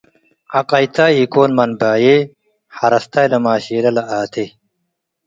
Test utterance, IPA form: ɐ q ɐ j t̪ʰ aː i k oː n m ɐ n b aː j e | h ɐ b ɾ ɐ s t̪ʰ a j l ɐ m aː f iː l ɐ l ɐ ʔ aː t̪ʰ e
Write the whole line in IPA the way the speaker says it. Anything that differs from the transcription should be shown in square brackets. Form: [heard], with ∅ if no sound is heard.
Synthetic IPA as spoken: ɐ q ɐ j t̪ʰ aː i k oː n m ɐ n b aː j e | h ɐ [∅] ɾ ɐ s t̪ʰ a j l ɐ m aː [ɕ] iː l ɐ l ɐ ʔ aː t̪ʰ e